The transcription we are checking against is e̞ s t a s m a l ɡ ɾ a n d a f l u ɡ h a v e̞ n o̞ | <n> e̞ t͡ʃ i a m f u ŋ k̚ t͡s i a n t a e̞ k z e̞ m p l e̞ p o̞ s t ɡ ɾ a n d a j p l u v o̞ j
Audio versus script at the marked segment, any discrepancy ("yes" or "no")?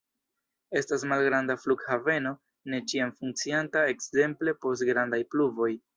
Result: no